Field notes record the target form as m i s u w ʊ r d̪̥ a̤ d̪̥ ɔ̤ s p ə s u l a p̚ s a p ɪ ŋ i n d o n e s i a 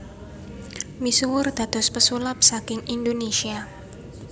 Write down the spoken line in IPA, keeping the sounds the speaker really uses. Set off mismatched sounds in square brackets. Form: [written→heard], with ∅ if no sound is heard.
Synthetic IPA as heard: m i s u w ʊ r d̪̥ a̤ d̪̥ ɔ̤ s p ə s u l a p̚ s a [p→k] ɪ ŋ i n d o n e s i a